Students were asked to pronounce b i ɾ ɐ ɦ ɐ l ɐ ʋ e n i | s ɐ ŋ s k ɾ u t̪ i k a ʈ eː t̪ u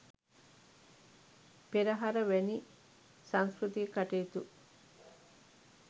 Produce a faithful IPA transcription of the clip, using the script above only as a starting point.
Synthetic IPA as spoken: p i ɾ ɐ ɦ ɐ ɾ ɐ ʋ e n i | s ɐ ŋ s k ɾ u t̪ i k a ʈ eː t̪ u